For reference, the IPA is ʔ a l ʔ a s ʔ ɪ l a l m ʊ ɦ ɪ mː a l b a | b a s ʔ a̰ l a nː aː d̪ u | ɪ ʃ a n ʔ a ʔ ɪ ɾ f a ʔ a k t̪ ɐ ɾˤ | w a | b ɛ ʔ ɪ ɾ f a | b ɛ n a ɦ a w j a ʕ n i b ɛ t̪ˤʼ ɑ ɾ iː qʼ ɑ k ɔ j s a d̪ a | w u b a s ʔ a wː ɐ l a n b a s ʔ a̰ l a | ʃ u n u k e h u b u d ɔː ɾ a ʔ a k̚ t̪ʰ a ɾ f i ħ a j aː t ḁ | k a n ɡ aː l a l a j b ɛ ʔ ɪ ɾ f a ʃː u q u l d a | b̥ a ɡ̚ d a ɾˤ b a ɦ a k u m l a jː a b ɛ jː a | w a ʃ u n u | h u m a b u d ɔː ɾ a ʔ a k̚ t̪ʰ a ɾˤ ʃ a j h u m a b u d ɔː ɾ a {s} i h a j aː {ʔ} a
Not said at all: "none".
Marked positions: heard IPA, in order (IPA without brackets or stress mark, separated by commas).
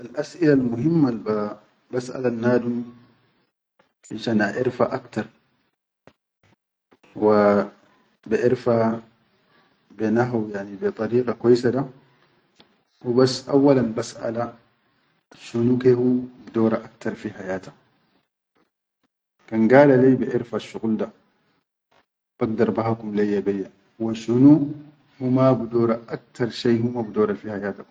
f, t